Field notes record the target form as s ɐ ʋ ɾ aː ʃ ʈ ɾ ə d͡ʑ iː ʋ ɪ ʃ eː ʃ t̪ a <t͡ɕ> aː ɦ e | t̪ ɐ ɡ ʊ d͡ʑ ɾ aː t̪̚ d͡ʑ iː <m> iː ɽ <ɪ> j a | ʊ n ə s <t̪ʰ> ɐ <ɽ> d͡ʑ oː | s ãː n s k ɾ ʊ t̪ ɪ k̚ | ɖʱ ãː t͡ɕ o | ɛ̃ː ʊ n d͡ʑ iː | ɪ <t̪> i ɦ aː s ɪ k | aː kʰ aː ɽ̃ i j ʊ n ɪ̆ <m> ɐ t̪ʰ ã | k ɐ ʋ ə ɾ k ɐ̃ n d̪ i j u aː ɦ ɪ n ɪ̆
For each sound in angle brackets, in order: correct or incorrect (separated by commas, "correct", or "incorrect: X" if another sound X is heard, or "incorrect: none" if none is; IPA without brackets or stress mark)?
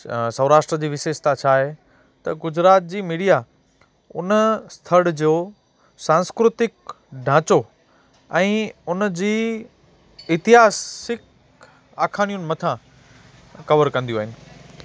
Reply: incorrect: t͡ɕʰ, correct, incorrect: i, correct, correct, correct, correct